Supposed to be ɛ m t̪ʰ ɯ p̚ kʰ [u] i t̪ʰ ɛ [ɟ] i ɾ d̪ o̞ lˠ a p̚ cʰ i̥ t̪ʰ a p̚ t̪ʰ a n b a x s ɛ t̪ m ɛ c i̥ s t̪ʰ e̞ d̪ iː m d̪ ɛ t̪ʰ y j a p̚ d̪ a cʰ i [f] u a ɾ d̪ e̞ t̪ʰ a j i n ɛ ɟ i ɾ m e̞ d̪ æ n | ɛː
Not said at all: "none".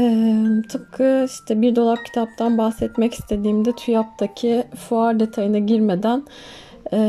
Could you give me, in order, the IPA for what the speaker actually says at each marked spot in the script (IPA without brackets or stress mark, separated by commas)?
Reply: ɯ, b, f